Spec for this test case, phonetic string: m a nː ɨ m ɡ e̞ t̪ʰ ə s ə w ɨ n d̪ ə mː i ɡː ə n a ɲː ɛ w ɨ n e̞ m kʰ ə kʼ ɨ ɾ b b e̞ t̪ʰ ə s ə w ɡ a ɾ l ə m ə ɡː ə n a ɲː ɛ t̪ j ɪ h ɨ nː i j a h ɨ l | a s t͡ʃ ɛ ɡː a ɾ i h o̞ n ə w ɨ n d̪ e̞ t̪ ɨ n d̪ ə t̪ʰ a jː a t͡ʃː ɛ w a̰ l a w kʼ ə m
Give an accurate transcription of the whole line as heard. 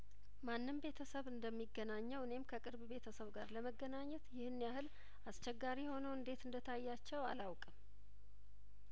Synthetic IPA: m a nː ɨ m b e̞ t̪ʰ ə s ə β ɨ n d̪ ə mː i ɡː ə n a ɲː ɛ w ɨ n e̞ m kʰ ə kʼ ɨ ɾ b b e̞ t̪ʰ ə s ə β ɡ a ɾ l ə m ə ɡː ə n a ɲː ɛ t̪ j ɪ h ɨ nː i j a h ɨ l | a s t͡ʃ ɛ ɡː a ɾ i h o̞ n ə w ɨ n d̪ e̞ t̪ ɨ n d̪ ə t̪ʰ a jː a t͡ʃː ɛ w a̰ l a w kʼ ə m